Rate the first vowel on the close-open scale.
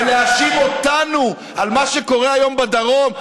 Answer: mid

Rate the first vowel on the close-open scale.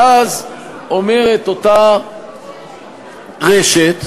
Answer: open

